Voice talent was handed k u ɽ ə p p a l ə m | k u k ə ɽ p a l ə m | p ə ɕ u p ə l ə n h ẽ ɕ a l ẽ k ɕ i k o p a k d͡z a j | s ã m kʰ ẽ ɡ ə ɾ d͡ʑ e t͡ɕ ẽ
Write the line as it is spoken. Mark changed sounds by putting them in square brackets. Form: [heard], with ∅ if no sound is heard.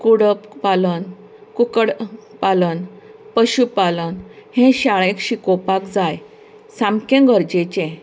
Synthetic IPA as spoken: k u ɽ ə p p a l ə [n] | k u k ə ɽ p a l ə [n] | p ə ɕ u p [a] l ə n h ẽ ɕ a [ɭ] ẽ k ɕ i k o p a k d͡z a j | s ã m [k] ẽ ɡ ə ɾ d͡ʑ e t͡ɕ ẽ